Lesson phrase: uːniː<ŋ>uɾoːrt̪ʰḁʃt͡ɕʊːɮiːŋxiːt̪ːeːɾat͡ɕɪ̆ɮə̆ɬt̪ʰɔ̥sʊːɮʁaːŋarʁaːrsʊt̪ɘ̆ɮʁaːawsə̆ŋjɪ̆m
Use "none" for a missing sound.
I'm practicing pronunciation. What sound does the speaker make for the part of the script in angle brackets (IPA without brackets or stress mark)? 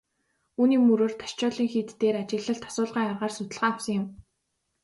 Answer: m